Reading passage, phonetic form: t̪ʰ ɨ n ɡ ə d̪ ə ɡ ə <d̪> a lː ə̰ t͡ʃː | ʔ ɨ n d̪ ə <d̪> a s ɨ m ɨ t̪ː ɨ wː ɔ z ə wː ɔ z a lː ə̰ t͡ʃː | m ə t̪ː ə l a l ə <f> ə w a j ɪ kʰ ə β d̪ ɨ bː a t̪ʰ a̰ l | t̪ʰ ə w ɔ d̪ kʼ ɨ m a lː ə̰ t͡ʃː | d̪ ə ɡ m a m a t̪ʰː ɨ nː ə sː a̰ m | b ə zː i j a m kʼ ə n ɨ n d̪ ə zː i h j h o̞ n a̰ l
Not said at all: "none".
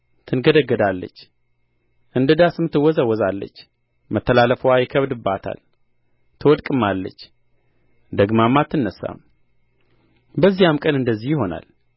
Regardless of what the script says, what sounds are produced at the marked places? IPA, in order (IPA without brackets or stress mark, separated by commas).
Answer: d̪, d̪, f